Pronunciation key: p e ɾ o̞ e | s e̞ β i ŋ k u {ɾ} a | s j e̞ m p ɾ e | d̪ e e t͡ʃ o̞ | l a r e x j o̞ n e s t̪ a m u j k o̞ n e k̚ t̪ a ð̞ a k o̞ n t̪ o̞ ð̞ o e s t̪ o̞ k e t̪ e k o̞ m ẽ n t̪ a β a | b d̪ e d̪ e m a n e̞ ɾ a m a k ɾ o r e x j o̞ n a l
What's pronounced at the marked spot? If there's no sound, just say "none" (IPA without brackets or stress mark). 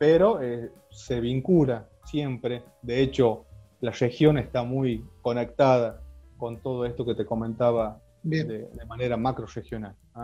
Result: l